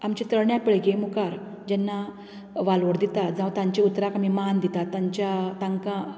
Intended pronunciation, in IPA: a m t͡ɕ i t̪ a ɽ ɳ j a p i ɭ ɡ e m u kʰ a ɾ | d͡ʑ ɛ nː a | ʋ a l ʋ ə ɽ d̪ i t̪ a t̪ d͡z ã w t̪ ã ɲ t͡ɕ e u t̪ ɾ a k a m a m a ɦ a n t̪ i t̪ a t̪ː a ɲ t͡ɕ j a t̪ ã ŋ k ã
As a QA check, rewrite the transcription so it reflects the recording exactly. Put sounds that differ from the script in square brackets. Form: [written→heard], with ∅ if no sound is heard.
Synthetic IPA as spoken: a m t͡ɕ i t̪ [a→ə] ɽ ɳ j a p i ɭ ɡ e m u [kʰ→k] a ɾ | d͡ʑ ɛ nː a | ʋ a l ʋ ə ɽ d̪ i t̪ a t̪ d͡z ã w t̪ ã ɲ t͡ɕ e u t̪ ɾ a k a m [a→i] m a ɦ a n [t̪→d̪] i t̪ a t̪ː a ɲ t͡ɕ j a t̪ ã ŋ k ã